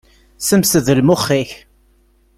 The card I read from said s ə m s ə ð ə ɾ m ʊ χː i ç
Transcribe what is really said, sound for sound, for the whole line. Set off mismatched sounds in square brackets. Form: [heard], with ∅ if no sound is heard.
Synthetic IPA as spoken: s ə m s ə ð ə [l] m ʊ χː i ç